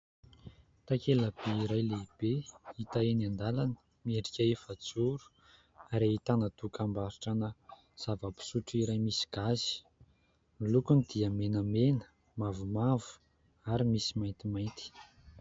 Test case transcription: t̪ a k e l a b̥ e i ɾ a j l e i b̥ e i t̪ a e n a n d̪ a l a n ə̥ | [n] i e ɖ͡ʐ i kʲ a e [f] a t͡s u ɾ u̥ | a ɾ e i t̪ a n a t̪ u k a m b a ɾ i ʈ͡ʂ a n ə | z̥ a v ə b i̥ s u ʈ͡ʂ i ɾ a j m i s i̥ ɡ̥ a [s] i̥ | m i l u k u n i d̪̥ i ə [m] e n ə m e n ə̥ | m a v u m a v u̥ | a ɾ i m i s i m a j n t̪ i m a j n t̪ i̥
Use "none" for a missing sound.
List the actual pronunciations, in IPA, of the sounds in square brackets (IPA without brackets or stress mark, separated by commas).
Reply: m, f, z, m